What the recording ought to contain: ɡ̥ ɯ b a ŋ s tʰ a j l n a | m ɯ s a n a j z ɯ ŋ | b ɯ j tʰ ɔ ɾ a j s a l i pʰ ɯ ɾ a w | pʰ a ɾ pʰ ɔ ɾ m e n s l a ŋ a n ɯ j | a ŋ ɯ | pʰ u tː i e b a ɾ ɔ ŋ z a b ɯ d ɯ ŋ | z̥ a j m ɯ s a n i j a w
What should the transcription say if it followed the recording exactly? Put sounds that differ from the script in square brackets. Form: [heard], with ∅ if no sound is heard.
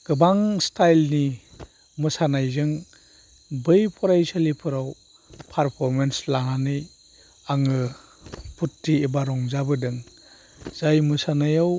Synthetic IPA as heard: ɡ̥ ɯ b a ŋ s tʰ a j l n [i] | m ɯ s a n a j z ɯ ŋ | b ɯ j [pʰ] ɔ ɾ a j s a l i pʰ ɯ ɾ a w | pʰ a ɾ pʰ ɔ ɾ m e n s l a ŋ a n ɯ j | a ŋ ɯ | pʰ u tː i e b a ɾ ɔ ŋ z a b ɯ d ɯ ŋ | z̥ a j m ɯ s a n [a] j a w